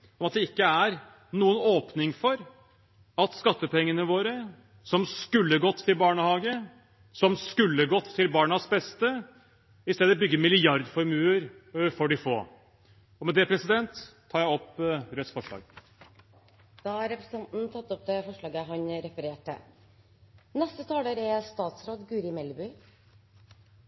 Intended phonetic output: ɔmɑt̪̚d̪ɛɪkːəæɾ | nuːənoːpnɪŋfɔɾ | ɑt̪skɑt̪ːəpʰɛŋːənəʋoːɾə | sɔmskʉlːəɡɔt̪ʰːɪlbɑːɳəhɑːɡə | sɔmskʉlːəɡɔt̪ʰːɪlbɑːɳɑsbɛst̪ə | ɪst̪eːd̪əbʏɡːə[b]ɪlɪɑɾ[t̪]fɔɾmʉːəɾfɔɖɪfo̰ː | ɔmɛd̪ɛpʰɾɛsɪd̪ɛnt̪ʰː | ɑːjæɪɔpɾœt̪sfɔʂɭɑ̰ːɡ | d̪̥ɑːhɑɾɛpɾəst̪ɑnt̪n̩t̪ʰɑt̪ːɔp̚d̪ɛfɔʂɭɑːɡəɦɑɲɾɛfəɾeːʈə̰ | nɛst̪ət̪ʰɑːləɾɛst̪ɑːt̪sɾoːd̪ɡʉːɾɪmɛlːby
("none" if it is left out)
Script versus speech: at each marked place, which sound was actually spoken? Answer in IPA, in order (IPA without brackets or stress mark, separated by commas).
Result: m, d̪